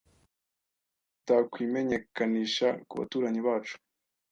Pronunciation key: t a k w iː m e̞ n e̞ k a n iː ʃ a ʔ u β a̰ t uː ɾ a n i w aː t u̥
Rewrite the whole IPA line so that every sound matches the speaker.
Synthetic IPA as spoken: t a k w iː m e̞ ɲ e̞ k a n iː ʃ a k u β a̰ t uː ɾ a ɲ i β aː t͡ʃ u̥